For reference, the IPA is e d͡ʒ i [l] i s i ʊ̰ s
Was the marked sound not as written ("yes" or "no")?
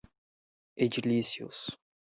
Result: no